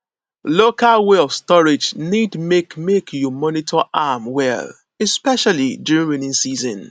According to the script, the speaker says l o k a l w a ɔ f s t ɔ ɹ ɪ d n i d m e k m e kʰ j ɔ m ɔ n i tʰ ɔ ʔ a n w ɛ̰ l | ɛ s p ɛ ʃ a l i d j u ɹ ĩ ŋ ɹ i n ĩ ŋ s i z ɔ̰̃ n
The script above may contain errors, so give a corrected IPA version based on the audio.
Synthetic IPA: l o k a l w e ɔ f s t ɔ ɹ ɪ d͡ʒ n i d m e k m e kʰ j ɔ m ɔ n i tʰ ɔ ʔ a m w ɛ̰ l | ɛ s p ɛ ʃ a l i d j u ɹ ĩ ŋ ɹ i n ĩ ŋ s i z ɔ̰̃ n